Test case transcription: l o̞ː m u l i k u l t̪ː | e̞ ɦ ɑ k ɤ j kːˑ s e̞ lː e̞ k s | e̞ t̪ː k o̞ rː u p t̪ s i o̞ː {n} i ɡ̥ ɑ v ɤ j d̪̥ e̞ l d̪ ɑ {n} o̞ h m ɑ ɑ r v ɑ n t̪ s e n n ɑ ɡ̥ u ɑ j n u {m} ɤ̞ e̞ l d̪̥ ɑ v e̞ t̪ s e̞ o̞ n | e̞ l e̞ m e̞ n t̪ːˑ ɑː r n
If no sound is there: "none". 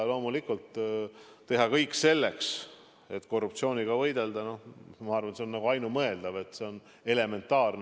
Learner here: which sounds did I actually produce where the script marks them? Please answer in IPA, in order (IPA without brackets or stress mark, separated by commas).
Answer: n, n, m